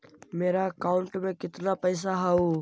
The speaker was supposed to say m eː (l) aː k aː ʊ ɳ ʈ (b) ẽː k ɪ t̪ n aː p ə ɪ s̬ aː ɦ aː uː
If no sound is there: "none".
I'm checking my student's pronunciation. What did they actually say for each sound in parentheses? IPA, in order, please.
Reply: ɾ, m

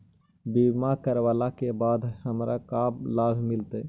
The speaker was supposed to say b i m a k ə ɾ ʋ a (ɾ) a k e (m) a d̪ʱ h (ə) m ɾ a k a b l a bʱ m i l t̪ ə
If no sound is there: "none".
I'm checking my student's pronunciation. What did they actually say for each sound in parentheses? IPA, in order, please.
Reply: l, b, ə

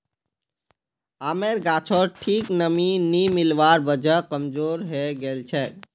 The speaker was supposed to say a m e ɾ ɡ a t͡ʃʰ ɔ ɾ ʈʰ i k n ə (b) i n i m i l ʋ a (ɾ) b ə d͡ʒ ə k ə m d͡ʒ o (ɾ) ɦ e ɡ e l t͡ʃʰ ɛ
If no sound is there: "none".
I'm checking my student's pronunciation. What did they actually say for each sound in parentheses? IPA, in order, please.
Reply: m, ɾ, ɾ

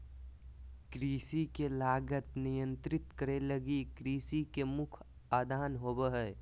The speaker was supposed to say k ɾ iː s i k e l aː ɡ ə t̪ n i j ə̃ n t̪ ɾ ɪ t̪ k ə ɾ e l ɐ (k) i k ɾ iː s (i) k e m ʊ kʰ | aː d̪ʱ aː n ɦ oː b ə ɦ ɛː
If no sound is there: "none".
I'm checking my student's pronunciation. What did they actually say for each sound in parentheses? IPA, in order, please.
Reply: ɡ, i

